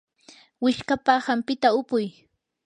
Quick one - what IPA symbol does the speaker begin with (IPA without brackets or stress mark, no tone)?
w